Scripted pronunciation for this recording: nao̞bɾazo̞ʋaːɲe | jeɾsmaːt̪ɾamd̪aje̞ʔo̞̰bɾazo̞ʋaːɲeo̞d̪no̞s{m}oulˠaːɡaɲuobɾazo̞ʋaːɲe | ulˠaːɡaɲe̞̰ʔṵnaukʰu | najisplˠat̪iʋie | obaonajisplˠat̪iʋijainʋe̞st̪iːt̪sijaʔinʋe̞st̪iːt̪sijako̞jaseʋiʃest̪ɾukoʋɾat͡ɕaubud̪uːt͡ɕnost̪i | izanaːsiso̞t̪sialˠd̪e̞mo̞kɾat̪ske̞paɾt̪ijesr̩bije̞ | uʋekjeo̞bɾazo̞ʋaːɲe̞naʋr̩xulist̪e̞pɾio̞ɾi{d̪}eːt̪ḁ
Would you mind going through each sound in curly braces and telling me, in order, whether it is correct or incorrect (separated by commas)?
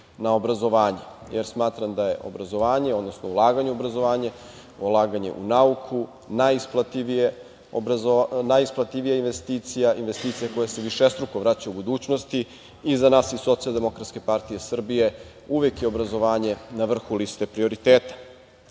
incorrect, incorrect